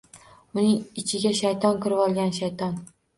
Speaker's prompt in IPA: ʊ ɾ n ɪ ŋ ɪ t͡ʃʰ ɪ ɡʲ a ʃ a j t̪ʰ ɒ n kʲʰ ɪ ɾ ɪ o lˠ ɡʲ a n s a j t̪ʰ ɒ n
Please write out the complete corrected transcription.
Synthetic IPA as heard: ʊ n ɪ ŋ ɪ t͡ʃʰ ɪ ɡʲ a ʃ a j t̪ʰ ɒ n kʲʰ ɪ ɾ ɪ ɒ lˠ ɡʲ a n ʃ a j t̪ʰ ɒ n